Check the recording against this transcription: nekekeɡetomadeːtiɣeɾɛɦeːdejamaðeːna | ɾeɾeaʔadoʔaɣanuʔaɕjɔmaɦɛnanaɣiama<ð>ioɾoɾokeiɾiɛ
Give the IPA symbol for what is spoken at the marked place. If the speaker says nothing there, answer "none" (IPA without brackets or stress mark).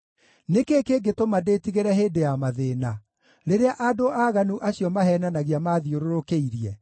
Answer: ð